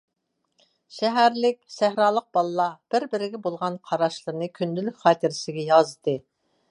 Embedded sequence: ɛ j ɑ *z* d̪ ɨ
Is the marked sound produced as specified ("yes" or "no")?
yes